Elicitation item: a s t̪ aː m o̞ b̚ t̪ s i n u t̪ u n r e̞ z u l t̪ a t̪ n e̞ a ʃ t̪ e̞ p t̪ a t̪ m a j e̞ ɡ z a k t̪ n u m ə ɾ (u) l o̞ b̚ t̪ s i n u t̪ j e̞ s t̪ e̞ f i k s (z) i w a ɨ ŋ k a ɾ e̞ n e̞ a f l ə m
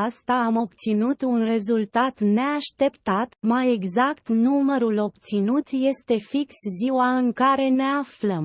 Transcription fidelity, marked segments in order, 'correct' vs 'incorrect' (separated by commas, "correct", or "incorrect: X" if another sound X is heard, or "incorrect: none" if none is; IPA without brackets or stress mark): correct, correct